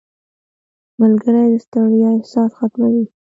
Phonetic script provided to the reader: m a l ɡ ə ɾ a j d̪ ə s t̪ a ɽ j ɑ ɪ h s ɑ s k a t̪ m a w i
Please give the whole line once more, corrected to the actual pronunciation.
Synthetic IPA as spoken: m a l ɡ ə ɾ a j d̪ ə s t̪ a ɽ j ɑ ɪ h s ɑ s x a t̪ m a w i